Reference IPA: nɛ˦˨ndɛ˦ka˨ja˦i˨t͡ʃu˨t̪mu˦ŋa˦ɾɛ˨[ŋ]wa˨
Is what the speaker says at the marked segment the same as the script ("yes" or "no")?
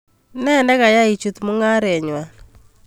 no